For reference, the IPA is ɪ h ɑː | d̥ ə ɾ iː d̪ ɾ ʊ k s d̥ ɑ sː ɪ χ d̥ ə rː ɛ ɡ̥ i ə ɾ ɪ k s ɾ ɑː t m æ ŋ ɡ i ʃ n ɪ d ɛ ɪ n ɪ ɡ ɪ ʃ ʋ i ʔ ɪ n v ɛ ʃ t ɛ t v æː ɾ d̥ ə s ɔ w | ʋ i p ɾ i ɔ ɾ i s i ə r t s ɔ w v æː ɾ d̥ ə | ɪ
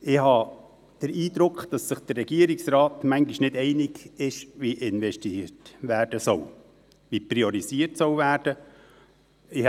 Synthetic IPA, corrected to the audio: ɪ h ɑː | d̥ ə ɾ iː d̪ ɾ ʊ k χ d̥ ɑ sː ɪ χ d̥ ə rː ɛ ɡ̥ i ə ɾ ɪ k s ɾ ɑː t m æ ŋ ɡ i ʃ n ɪ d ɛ ɪ n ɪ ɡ ɪ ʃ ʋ i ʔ ɪ n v ɛ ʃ t i t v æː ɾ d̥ ə s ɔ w | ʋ i p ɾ i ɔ ɾ i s i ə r t s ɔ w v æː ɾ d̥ ə | ɪ